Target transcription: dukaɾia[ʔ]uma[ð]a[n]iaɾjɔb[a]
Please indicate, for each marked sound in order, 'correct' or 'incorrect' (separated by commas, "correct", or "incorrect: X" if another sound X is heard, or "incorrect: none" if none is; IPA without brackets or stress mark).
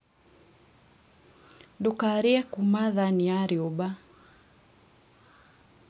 incorrect: k, correct, correct, correct